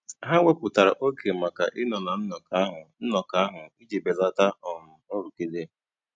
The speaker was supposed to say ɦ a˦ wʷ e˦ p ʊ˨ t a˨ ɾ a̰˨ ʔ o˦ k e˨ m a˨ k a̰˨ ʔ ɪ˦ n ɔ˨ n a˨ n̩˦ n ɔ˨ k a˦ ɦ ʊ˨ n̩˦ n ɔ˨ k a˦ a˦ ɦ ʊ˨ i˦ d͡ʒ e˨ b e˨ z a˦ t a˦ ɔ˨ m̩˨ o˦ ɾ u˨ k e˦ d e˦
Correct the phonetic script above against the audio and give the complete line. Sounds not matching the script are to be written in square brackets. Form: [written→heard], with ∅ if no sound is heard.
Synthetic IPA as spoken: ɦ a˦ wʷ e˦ p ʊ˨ t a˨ ɾ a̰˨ ʔ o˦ k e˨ m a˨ k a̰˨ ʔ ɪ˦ n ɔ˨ n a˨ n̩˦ n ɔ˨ k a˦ ɦ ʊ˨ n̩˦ n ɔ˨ k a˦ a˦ ɦ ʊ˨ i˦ d͡ʒ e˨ b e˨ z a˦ t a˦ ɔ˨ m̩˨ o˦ ɾ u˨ k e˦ d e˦